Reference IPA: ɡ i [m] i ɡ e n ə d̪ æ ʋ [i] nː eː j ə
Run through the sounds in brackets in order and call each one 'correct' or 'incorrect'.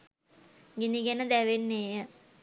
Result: incorrect: n, incorrect: e

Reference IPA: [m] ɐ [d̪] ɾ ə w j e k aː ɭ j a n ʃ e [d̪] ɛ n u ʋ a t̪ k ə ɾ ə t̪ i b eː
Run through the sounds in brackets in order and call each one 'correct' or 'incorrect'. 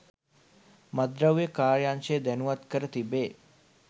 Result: correct, correct, correct

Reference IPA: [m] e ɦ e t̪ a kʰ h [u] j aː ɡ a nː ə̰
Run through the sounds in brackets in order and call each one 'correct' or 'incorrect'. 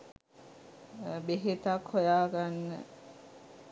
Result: incorrect: b, incorrect: o

